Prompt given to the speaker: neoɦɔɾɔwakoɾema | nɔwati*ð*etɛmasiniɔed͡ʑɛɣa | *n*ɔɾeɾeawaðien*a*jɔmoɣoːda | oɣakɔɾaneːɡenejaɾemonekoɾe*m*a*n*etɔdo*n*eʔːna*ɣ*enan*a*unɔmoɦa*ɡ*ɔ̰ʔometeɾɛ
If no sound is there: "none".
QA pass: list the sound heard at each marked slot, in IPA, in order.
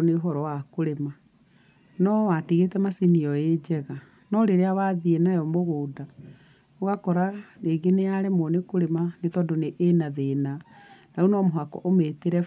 ɣ, n, a, m, n, n, ð, a, k

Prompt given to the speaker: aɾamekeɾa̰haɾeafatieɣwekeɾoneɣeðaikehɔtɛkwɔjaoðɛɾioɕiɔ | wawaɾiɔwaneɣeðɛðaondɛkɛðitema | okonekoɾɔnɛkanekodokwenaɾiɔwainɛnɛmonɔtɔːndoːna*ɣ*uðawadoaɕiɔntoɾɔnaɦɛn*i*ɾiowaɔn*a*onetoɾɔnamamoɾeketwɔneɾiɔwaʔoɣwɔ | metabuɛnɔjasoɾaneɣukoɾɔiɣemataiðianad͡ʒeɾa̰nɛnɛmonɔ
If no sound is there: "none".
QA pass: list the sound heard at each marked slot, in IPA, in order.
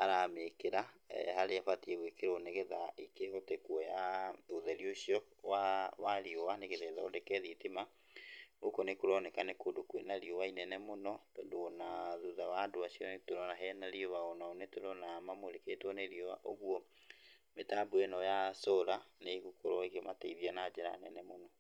ð, a, a

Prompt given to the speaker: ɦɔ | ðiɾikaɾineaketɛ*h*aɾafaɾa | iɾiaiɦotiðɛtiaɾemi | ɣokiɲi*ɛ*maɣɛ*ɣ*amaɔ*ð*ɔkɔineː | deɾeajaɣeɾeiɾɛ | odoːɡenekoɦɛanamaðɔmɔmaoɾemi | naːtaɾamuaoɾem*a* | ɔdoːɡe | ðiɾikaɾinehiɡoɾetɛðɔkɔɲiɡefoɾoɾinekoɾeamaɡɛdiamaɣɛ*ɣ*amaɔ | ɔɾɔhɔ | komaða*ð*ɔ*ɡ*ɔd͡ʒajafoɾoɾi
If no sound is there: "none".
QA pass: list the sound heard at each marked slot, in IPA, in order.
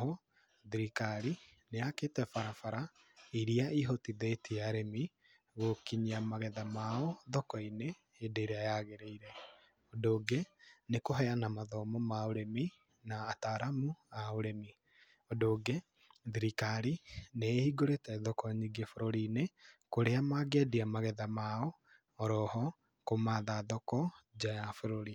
f, a, ð, ð, i, ð, ð, k

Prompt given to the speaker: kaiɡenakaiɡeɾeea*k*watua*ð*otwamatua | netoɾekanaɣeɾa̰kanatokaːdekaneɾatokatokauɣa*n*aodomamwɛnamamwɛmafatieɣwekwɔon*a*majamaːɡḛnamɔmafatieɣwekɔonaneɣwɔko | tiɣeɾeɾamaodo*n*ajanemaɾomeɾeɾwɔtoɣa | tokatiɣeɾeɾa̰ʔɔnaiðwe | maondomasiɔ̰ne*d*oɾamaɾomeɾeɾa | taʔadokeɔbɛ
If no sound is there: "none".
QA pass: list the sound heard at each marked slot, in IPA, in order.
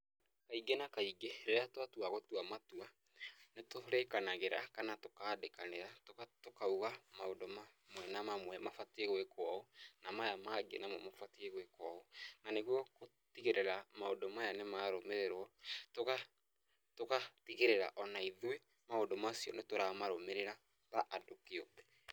t, ɣ, m, a, m, t

